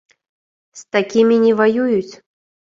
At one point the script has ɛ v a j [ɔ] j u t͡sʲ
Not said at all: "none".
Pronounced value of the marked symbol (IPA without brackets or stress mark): u